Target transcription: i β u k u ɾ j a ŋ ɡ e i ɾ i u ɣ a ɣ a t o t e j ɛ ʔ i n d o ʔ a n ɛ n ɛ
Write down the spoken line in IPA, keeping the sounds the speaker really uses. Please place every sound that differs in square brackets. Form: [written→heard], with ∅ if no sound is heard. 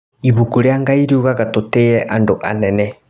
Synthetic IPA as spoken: i β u k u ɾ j a ŋ ɡ [e→a] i ɾ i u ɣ a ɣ a t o t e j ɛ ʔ [i→a] n d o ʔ a n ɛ n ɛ